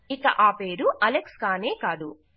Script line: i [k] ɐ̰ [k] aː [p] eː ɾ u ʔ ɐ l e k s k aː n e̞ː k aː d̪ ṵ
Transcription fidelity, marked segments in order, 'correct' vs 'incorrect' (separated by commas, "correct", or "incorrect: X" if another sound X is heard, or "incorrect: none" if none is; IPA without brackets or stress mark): correct, incorrect: ʔ, correct